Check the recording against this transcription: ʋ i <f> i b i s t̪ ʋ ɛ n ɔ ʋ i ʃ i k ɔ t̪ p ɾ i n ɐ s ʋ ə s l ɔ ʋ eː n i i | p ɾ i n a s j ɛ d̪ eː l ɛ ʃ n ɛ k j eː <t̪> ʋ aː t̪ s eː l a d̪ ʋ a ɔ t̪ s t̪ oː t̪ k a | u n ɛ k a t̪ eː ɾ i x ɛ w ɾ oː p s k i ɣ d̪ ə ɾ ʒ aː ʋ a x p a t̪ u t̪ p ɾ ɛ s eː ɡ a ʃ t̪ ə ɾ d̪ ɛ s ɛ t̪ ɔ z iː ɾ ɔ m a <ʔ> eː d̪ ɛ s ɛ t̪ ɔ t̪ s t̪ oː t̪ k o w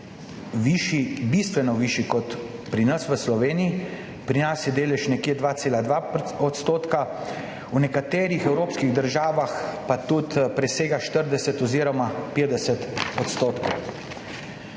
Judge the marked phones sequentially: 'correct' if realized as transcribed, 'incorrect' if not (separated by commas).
incorrect, incorrect, incorrect